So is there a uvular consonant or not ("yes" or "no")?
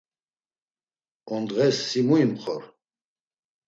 yes